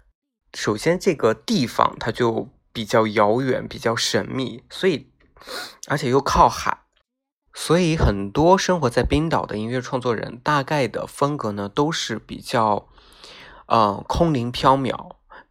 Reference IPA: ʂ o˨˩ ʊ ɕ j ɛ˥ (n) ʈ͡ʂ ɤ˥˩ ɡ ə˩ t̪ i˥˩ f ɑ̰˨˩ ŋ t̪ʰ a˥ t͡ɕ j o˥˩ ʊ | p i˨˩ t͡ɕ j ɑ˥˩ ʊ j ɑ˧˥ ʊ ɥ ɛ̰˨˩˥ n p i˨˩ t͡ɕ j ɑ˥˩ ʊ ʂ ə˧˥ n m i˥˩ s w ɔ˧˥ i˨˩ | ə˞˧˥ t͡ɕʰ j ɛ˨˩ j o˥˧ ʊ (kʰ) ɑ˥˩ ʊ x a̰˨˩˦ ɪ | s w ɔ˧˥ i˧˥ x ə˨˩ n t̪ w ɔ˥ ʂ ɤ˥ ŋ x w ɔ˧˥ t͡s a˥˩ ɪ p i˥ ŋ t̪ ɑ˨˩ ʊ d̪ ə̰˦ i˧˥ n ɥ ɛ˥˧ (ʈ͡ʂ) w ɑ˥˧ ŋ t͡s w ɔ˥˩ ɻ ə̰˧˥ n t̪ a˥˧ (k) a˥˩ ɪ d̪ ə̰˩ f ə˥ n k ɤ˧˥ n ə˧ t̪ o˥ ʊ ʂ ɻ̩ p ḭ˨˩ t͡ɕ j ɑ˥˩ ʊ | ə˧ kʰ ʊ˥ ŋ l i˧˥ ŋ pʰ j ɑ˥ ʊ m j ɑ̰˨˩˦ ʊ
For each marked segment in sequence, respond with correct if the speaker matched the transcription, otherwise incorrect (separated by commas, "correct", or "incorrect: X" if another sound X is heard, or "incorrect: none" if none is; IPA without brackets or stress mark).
correct, correct, incorrect: ʈ͡ʂʰ, correct